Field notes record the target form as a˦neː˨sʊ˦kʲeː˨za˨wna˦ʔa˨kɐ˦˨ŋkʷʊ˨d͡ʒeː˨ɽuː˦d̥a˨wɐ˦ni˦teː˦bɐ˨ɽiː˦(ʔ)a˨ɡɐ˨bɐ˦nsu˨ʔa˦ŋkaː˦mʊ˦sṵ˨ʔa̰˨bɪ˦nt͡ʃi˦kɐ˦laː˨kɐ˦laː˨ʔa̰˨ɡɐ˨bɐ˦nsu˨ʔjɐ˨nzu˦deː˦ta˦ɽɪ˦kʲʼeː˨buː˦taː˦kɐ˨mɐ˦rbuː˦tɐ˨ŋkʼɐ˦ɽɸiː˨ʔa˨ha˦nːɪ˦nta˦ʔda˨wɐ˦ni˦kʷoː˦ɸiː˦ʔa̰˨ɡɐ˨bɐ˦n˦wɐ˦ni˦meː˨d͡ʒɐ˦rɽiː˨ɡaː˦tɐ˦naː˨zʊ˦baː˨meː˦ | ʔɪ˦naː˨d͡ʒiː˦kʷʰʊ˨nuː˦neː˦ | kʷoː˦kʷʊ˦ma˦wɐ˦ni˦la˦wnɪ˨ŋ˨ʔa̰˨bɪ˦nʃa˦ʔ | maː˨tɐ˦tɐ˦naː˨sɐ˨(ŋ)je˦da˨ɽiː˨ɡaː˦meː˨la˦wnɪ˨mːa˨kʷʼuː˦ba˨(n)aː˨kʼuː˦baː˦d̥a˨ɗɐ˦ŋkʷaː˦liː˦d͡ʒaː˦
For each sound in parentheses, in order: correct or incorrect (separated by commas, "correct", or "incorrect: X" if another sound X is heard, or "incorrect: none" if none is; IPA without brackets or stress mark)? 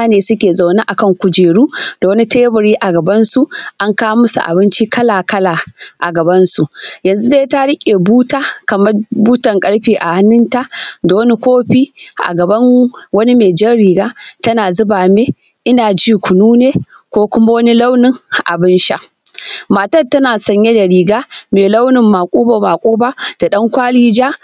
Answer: correct, incorrect: ɲ, incorrect: m